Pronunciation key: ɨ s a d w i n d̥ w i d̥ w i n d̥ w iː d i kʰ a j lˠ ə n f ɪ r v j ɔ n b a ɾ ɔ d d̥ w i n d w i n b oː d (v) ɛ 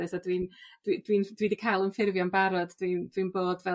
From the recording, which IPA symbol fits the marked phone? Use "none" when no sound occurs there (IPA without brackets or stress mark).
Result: v